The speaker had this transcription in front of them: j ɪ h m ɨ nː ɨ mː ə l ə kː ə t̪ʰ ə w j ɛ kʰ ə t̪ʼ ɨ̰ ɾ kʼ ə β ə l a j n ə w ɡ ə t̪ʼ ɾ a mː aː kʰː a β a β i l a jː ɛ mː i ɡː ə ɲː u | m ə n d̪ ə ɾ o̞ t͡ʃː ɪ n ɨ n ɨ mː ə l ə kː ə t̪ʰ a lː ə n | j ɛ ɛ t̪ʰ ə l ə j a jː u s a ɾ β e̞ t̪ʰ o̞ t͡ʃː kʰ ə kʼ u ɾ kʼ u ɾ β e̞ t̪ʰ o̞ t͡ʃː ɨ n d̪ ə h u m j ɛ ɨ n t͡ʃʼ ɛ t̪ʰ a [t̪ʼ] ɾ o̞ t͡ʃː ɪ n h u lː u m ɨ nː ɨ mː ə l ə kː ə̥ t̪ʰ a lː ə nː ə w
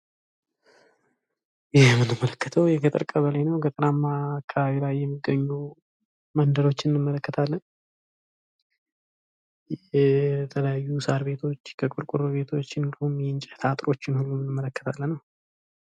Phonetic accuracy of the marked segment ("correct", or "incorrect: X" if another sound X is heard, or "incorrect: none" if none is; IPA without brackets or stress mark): correct